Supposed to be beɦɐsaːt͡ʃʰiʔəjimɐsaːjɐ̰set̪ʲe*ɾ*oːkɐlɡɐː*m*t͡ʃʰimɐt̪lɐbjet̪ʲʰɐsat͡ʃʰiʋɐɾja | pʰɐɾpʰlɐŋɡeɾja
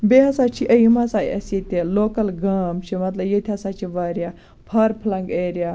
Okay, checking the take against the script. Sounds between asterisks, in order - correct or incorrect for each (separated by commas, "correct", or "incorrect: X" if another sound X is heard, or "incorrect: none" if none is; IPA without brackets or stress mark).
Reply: incorrect: l, correct